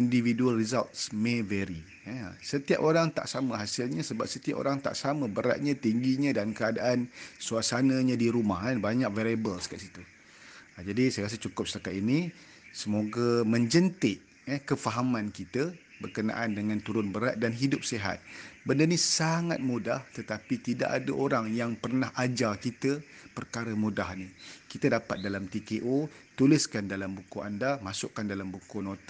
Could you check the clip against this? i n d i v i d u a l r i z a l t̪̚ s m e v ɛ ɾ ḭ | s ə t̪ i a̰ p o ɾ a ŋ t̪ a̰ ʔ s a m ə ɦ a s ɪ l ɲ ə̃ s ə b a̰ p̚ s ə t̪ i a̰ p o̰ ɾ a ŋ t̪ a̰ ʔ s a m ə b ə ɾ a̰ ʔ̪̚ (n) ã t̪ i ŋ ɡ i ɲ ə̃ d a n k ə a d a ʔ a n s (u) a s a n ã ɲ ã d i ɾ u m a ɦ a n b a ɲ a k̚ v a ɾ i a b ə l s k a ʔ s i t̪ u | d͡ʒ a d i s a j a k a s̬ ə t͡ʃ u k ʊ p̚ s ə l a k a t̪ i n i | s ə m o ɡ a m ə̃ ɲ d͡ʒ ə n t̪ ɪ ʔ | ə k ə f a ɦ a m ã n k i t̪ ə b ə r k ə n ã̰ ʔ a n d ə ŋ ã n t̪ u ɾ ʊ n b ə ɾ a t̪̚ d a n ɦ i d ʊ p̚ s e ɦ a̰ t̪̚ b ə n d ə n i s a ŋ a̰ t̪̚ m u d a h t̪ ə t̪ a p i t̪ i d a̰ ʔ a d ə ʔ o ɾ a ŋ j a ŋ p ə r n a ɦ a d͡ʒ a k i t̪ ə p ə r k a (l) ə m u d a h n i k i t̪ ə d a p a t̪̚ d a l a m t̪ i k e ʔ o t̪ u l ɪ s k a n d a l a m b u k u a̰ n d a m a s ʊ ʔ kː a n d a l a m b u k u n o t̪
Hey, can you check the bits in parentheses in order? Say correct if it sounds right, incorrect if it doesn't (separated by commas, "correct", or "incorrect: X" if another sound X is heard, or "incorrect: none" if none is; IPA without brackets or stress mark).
incorrect: ɲ, correct, incorrect: ɾ